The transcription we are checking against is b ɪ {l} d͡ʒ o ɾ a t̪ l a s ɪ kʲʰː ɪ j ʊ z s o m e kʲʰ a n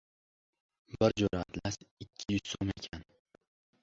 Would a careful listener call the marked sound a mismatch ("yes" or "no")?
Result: yes